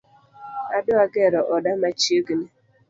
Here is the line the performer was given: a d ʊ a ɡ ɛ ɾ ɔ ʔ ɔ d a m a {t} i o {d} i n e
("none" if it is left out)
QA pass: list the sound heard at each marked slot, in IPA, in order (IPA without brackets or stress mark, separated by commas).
t͡ʃ, ɡ